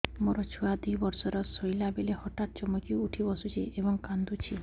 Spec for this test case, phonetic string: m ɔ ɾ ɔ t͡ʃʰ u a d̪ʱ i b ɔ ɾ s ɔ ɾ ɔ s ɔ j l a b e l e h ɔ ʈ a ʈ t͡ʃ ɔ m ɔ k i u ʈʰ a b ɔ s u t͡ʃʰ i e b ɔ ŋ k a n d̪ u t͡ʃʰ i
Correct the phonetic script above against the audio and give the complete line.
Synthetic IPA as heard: m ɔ ɾ ɔ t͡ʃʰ u a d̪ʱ i b ɔ ɾ s ɔ ɾ ɔ s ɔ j l a b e l e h ɔ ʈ a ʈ t͡ʃ ɔ m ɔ k i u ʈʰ i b ɔ s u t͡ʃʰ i e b ɔ ŋ k a n d̪ u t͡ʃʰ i